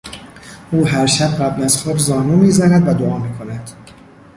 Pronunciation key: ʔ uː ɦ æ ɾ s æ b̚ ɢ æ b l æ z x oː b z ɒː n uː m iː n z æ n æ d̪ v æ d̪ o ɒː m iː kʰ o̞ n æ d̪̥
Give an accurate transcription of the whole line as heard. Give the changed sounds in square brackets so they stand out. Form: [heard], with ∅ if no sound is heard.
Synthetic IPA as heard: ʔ uː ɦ æ ɾ [ʃ] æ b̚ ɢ æ b l æ z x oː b z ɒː n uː m iː [∅] z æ n æ d̪ v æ d̪ o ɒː m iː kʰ o̞ n æ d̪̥